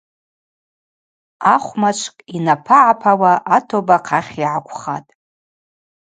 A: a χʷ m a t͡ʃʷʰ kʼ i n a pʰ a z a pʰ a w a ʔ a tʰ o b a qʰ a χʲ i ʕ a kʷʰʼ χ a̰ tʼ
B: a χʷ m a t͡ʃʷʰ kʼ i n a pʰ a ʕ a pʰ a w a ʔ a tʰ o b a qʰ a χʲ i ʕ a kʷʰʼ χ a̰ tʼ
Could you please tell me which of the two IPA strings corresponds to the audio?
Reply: B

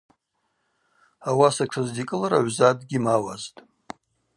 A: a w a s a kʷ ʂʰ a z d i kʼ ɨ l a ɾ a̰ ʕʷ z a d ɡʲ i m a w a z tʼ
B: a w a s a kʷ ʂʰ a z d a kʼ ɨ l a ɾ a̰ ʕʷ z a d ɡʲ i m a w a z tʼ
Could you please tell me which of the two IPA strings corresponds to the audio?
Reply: A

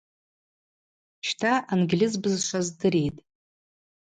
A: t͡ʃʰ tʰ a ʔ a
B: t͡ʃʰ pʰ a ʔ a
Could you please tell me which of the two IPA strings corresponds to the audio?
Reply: A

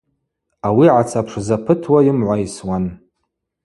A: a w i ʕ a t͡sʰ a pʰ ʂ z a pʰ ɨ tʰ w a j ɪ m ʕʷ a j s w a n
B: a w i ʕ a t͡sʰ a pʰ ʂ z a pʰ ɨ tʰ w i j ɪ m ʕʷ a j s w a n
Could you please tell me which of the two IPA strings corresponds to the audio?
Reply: A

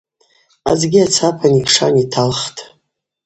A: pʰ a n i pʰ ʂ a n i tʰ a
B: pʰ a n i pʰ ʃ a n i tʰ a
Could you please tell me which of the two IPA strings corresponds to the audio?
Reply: A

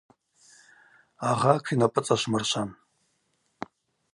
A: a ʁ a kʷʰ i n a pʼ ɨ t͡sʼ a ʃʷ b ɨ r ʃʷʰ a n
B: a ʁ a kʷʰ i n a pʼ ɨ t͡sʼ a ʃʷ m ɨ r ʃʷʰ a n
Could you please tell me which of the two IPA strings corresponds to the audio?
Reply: B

